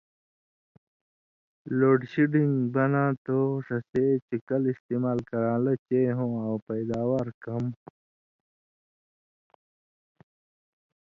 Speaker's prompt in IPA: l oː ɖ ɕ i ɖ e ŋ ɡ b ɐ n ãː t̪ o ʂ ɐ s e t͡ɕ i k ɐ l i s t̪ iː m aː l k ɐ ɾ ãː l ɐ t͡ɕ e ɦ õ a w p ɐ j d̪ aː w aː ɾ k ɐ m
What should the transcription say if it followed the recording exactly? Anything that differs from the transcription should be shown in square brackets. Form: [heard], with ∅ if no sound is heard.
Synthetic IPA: l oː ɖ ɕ i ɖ [i] ŋ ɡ b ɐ n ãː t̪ o ʂ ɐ s e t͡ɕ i k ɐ l i s t̪ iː m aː l k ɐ ɾ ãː l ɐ t͡ɕ e ɦ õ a w p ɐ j d̪ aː w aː ɾ k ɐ m